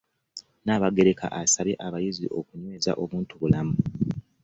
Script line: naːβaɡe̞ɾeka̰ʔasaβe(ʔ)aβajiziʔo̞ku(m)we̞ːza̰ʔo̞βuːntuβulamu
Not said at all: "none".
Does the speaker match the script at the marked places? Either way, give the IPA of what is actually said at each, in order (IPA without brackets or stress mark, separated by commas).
ʔ, ɲ